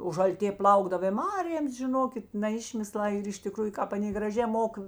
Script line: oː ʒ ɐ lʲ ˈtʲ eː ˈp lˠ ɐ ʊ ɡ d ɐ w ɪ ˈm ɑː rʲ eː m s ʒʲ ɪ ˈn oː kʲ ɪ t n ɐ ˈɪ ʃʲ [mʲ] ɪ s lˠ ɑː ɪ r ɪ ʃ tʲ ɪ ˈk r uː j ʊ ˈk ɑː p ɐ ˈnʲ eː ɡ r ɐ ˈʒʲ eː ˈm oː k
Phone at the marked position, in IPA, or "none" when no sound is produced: mʲ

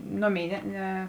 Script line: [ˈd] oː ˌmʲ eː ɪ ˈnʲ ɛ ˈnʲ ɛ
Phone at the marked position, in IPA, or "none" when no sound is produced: n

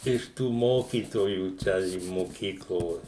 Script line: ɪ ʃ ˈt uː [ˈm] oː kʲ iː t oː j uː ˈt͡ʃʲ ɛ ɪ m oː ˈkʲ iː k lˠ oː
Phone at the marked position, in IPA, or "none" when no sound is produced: m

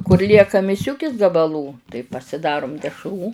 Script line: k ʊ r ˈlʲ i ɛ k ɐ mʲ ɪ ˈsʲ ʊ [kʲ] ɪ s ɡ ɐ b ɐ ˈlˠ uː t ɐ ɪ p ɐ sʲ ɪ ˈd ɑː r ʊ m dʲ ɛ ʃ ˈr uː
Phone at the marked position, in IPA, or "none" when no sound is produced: kʲ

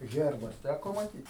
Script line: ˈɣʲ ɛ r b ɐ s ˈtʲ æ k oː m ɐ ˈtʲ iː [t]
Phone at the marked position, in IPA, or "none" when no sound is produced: t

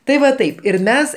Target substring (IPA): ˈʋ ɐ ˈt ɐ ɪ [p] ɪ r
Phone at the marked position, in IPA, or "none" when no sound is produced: p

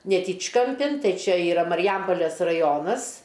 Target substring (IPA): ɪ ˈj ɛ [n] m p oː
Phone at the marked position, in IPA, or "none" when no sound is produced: none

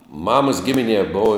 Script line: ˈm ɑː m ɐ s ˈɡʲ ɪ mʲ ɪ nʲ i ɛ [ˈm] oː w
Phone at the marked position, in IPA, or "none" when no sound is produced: b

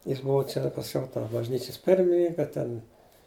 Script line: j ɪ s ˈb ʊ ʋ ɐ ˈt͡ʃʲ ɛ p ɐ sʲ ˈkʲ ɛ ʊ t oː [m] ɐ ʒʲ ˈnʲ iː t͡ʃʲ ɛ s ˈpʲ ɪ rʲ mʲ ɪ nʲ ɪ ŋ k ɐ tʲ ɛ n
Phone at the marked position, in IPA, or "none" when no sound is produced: b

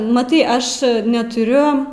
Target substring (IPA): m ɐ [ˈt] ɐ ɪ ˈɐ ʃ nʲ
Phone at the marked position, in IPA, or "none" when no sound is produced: t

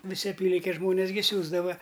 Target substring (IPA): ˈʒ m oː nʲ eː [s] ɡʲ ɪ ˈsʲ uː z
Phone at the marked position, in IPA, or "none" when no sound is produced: s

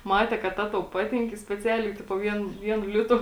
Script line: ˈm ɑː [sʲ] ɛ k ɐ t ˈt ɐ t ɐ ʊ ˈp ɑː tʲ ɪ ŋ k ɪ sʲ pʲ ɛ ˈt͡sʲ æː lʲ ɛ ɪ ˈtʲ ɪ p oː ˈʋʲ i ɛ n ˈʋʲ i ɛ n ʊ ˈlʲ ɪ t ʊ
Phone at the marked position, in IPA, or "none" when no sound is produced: tʲ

